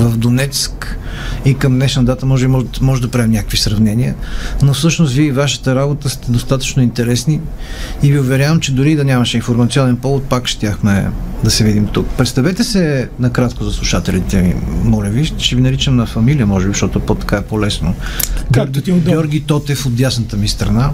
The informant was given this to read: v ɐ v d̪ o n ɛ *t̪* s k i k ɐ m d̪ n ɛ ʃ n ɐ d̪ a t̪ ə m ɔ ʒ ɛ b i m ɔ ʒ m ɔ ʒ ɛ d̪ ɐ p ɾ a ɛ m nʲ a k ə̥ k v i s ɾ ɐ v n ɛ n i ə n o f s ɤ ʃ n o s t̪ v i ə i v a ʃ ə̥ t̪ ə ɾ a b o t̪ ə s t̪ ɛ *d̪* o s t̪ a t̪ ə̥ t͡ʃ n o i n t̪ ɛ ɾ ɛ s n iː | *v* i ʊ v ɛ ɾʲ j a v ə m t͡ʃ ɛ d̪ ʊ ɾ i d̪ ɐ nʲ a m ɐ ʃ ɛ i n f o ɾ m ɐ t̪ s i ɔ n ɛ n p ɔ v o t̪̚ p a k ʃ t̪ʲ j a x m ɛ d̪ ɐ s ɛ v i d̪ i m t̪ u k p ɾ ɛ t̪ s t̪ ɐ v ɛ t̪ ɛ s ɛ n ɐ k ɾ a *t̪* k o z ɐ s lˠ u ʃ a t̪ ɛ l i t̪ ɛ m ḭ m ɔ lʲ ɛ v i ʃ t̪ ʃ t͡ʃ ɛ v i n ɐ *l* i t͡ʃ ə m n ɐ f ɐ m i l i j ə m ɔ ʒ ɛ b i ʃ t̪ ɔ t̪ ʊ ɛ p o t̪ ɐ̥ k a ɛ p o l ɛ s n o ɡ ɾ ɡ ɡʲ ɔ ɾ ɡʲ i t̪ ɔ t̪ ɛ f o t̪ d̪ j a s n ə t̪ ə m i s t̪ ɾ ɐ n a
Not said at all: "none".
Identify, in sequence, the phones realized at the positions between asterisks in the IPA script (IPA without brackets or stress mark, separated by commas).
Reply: t̪, d̪, v, t̪, ɾ